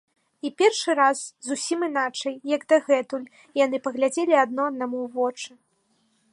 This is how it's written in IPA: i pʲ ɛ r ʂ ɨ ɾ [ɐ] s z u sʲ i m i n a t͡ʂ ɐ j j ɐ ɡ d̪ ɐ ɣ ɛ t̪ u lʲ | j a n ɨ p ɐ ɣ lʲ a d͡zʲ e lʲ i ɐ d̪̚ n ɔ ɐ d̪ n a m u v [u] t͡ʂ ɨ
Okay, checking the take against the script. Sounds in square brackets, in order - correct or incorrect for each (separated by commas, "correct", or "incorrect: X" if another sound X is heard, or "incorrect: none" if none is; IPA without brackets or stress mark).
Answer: incorrect: a, incorrect: ɔ